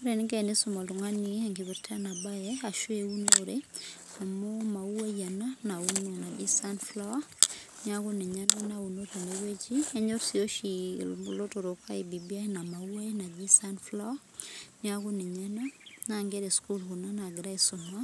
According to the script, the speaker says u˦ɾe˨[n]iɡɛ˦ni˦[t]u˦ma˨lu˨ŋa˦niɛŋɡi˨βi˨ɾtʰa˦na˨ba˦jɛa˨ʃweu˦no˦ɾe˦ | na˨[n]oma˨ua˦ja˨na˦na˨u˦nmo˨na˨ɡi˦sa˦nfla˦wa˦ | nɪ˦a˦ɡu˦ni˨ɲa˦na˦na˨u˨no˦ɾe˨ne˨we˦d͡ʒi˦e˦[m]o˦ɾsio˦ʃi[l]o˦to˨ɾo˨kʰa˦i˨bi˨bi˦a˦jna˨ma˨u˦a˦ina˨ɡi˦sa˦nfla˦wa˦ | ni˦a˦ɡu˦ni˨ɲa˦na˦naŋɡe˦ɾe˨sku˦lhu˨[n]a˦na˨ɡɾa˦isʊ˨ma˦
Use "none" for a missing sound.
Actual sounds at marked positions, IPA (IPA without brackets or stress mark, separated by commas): n, s, m, ɲ, l, n